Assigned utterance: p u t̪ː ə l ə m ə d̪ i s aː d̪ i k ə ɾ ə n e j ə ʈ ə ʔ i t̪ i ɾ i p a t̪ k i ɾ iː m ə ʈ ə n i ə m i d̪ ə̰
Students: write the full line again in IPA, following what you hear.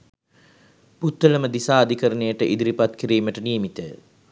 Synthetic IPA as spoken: p u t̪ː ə l ə m ə d̪ i s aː d̪ i k ə ɾ ə n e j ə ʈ ə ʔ i d̪ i ɾ i p a t̪ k i ɾ iː m ə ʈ ə n i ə m i t̪ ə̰